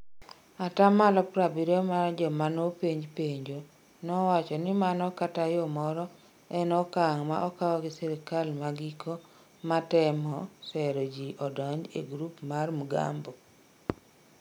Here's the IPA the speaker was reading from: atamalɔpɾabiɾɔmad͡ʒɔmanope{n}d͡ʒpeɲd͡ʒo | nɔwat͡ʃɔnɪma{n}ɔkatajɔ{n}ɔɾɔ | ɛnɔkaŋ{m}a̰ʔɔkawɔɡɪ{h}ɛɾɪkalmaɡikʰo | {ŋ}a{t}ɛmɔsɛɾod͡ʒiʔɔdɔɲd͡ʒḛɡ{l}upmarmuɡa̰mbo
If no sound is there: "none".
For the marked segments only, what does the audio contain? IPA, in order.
ɲ, n, m, m, s, m, t, ɾ

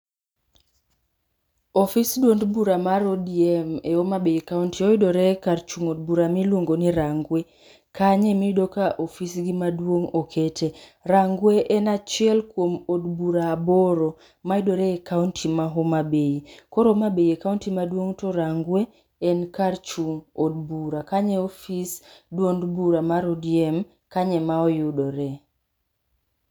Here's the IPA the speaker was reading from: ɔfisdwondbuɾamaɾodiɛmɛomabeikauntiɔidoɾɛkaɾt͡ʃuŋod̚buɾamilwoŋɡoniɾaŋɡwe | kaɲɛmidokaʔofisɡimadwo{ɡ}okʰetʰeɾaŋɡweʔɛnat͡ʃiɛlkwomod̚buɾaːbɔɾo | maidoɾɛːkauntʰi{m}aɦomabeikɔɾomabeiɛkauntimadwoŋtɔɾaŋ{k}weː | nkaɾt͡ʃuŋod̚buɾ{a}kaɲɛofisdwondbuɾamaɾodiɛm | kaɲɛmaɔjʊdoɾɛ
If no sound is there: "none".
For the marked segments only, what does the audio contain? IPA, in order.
ŋ, m, ɡ, a

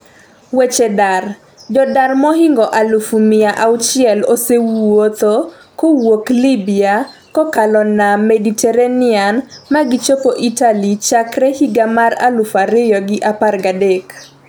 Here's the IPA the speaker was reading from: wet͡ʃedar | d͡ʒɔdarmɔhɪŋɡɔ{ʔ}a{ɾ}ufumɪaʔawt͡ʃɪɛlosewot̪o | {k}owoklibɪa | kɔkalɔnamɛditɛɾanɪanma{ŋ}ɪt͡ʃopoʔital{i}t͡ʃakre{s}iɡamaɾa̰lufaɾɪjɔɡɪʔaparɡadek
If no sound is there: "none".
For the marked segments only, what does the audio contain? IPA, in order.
ʔ, l, k, ɡ, i, h

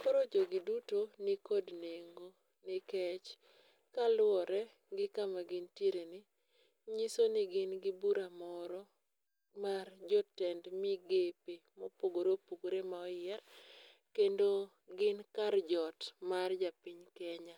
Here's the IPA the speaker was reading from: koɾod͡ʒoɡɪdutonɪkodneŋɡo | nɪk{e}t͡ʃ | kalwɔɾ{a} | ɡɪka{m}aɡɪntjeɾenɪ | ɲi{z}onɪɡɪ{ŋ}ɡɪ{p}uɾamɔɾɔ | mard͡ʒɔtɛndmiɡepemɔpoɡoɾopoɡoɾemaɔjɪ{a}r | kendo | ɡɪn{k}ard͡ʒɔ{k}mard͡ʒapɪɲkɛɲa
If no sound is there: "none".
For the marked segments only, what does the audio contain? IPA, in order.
ɛ, ɛ, m, s, n, b, ɛ, k, t

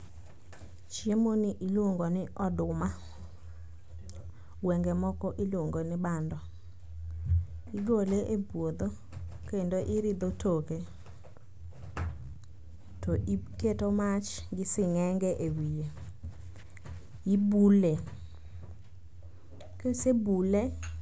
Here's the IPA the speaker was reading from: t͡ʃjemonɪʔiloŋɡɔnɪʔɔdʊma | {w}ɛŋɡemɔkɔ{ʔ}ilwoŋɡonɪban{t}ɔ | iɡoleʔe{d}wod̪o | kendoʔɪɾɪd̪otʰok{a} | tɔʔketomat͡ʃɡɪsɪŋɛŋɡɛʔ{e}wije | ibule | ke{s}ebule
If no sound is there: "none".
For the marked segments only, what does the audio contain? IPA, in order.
w, ʔ, d, b, e, e, s

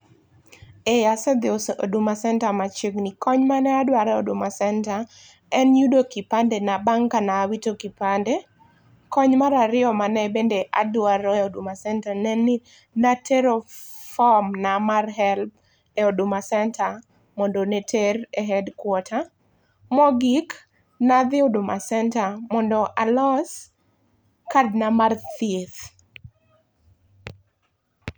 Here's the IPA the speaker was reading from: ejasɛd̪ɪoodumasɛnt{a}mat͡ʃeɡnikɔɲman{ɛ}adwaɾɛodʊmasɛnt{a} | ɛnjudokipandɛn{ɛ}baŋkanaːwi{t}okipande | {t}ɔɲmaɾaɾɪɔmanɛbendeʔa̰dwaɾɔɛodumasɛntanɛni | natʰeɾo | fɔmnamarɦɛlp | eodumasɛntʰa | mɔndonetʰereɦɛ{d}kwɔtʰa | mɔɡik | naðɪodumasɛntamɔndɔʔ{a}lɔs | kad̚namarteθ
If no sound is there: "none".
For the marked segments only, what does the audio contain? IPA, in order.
a, ɛ, a, a, t, k, d, a

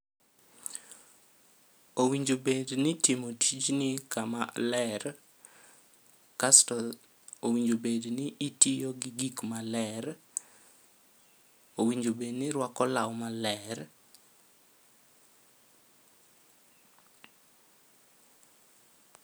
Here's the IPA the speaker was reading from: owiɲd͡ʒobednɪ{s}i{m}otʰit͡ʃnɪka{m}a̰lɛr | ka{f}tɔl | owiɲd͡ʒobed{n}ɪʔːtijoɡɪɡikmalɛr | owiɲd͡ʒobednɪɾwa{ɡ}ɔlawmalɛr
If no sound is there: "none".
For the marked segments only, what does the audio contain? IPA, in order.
t, m, m, s, n, k

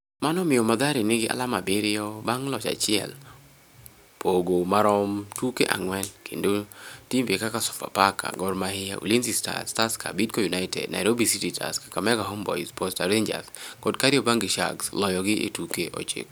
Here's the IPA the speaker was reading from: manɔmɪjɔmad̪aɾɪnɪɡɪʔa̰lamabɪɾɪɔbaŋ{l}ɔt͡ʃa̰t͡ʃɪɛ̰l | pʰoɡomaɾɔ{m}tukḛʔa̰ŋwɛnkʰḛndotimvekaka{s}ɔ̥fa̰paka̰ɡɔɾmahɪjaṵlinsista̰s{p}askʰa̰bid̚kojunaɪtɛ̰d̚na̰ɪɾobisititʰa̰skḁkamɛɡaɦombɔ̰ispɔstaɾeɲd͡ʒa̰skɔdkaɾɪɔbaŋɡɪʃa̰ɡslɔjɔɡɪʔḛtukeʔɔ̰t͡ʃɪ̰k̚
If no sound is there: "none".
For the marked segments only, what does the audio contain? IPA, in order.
l, m, s, t

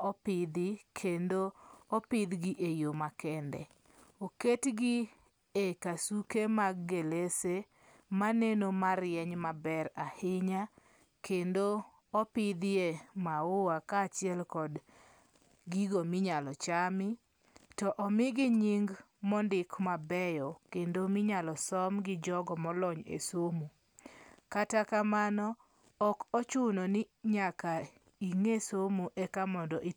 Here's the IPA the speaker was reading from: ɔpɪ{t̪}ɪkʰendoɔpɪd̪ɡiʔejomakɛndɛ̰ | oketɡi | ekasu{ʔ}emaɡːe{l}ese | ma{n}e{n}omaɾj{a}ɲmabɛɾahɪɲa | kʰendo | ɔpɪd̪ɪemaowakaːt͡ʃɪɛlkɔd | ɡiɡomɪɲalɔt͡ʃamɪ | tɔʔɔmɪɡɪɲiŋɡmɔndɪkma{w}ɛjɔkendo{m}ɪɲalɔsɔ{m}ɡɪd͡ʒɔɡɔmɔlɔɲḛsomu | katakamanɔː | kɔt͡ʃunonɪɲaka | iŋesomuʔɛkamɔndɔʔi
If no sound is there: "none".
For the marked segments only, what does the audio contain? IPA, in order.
d̪, k, l, n, n, ɛ, b, m, m

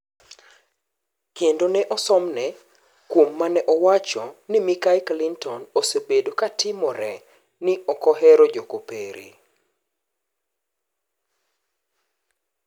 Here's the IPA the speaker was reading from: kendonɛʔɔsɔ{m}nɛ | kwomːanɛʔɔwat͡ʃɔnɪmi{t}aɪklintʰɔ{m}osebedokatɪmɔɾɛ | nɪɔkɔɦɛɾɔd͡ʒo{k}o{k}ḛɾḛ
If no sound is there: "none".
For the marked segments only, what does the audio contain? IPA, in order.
m, k, n, k, p

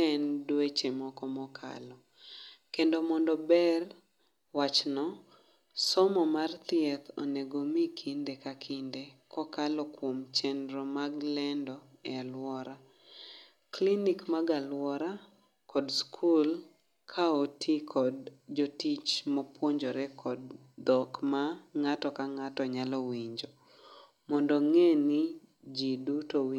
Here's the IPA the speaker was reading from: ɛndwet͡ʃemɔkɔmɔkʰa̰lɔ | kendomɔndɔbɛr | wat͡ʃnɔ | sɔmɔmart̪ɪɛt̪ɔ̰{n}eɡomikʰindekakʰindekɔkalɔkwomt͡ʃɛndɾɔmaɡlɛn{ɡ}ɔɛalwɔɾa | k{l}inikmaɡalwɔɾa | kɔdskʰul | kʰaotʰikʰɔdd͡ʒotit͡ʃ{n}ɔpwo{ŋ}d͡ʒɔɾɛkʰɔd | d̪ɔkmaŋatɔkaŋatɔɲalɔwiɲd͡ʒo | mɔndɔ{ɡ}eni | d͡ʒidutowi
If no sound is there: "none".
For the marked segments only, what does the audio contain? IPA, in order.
n, d, l, m, ɲ, ŋ

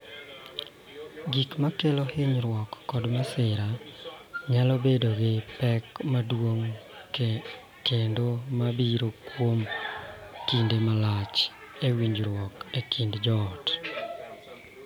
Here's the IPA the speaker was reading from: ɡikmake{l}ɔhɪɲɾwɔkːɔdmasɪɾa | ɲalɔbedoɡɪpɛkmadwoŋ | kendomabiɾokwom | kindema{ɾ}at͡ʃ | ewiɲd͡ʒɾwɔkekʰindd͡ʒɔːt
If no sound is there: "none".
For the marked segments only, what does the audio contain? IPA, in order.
l, l

